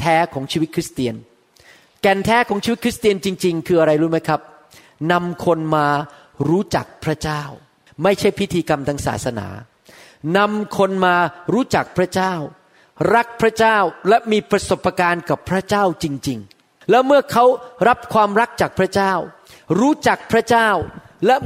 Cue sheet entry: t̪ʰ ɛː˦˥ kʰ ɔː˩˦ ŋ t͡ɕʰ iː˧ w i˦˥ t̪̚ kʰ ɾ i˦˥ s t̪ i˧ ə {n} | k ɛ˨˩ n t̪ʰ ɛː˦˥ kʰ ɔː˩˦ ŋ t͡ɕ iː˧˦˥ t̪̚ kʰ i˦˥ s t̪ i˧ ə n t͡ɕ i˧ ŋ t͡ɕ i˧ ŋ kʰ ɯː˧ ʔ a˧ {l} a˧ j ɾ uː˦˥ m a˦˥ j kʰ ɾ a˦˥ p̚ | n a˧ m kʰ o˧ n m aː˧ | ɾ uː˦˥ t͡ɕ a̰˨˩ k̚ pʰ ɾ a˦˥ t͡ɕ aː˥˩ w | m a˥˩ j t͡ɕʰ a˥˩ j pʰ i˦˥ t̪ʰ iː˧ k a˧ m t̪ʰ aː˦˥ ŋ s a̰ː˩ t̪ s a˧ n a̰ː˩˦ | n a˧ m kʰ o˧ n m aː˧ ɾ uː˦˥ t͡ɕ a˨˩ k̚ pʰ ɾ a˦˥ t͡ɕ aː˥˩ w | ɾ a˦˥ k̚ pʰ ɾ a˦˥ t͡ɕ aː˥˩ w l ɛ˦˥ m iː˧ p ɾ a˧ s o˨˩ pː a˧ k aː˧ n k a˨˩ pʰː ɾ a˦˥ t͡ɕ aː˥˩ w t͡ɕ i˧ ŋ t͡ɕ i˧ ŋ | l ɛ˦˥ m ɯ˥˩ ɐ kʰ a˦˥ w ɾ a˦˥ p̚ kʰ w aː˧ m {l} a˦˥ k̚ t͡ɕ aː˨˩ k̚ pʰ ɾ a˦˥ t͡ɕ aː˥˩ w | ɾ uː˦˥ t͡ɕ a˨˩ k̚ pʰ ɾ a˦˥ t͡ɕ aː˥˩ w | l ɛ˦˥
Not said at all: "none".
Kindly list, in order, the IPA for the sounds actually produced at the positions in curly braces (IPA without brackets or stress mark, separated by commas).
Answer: n, ɾ, ɾ